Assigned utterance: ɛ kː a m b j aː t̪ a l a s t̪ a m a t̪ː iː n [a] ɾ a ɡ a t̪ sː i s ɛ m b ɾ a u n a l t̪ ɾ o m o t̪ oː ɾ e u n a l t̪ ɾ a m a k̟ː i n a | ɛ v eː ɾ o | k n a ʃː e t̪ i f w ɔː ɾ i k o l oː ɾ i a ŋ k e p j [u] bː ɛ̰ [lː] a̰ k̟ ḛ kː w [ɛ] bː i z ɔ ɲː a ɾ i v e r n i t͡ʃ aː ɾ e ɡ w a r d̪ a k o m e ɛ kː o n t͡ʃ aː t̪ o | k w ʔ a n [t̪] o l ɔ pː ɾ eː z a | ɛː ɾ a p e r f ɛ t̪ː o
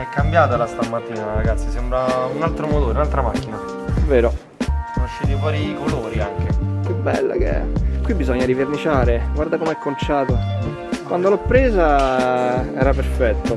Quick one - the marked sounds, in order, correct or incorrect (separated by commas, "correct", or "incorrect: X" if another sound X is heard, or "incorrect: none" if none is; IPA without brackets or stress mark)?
correct, correct, correct, incorrect: i, incorrect: d̪